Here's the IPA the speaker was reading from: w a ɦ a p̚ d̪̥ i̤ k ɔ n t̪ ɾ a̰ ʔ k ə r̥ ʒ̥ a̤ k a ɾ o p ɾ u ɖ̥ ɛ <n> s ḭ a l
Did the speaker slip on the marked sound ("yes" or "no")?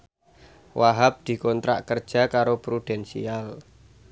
no